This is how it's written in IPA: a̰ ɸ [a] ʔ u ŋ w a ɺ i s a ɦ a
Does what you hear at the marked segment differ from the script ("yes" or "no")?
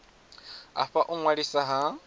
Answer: no